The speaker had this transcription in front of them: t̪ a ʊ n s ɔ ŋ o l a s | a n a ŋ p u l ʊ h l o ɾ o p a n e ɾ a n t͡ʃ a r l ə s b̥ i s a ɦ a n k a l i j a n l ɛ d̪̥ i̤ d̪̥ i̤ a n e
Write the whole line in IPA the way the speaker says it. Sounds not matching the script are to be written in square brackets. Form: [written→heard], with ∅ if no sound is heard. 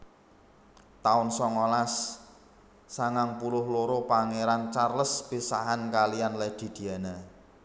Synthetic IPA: t̪ a ʊ n s ɔ ŋ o l a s | a [n→ŋ] a ŋ p u l ʊ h l o ɾ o p a [n→ŋ] e ɾ a n t͡ʃ a r l ə s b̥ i s a ɦ a n k a l i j a n l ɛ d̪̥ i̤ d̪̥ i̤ a n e